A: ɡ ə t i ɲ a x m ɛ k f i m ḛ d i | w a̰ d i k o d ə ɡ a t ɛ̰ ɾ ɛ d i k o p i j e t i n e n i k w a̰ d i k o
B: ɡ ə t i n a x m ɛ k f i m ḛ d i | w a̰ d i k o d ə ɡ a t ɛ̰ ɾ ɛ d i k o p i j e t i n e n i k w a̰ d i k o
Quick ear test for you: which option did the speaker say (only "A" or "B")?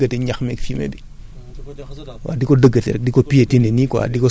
A